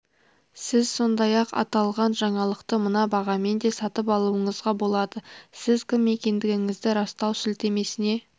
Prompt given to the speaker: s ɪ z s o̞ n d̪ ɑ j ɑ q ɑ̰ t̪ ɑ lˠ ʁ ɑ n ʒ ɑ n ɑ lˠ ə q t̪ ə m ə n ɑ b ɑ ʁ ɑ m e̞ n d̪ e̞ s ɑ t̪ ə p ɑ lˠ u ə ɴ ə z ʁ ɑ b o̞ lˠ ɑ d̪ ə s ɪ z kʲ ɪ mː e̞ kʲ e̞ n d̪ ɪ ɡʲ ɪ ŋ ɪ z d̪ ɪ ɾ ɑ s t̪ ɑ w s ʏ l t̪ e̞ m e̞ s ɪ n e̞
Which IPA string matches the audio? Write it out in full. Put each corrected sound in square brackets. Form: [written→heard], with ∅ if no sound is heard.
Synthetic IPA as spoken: s ɪ z s o̞ n d̪ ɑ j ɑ q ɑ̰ t̪ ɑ lˠ ʁ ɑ n ʒ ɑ [n→ɴ] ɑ lˠ ə q t̪ ə m ə n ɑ b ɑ ʁ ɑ m e̞ n d̪ e̞ s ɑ t̪ ə p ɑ lˠ u ə ɴ ə z ʁ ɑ b o̞ lˠ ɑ d̪ ə s ɪ z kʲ ɪ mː e̞ kʲ e̞ n d̪ ɪ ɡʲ ɪ ŋ ɪ z d̪ ɪ ɾ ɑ s t̪ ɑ w s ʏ l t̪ e̞ m e̞ s ɪ n e̞